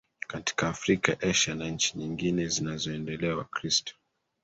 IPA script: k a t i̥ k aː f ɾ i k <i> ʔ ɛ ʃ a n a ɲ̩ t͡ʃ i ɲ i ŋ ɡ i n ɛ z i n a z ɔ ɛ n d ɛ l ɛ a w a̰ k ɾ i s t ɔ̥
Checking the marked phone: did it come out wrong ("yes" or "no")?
yes